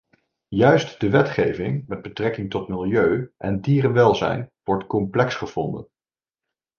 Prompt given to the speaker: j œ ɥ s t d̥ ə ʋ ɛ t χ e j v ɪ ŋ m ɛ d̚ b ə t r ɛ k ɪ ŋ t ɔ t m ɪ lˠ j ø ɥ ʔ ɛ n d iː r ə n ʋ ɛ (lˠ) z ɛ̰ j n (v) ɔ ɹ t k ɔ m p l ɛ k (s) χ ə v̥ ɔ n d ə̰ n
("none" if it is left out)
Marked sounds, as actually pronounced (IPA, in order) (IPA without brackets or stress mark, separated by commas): lˠ, ʋ, s